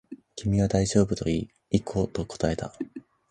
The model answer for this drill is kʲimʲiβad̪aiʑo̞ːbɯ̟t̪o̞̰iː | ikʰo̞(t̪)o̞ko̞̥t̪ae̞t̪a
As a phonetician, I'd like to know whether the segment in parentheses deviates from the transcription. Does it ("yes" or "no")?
no